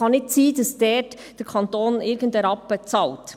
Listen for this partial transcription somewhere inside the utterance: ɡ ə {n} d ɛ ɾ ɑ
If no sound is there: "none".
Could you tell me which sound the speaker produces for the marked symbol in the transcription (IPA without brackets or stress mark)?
n